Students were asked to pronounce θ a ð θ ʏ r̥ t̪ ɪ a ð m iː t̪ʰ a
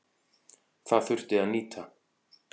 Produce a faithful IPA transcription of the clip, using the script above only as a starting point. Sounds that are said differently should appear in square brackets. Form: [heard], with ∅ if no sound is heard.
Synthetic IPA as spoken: θ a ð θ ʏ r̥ t̪ ɪ a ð [n] iː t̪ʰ a